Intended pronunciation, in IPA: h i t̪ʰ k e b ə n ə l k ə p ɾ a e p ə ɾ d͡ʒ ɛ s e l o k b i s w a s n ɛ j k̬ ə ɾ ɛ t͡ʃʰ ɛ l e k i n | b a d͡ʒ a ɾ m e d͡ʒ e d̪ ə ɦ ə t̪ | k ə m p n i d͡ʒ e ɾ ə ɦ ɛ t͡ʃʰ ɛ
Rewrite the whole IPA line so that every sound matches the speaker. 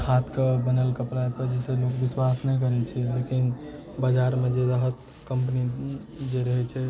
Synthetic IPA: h a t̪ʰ k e b ə n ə l k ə p ɾ a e p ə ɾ d͡ʒ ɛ s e l o k b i s w a s n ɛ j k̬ ə ɾ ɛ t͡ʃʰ ɛ l e k i n | b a d͡ʒ a ɾ m e d͡ʒ e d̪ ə ɦ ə t̪ | k ə m p n i d͡ʒ e ɾ ə ɦ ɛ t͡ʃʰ ɛ